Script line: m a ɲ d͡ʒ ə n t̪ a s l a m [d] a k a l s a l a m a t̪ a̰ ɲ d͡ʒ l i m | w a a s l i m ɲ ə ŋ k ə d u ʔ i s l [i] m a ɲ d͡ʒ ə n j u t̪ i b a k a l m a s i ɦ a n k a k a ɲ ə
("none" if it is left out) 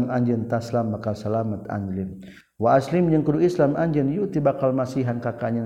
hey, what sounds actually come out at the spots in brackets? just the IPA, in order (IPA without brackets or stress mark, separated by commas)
b, a